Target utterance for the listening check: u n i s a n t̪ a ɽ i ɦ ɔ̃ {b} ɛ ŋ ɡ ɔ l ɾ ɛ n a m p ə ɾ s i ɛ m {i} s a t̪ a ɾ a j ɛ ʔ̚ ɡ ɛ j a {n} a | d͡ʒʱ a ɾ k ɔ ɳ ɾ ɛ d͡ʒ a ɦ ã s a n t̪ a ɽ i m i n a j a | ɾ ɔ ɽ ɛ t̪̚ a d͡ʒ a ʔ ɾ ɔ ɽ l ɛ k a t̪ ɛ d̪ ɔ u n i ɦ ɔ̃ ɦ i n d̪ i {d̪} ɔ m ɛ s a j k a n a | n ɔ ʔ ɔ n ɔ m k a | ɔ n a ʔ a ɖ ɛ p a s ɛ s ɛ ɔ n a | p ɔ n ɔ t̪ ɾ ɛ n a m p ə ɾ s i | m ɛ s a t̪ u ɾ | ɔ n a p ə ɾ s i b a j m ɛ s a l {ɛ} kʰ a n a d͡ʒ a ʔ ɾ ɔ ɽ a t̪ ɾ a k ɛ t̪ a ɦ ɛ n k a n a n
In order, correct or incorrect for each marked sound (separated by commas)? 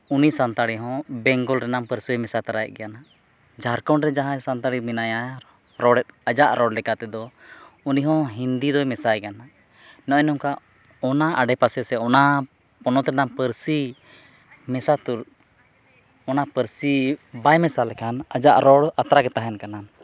correct, incorrect, correct, correct, correct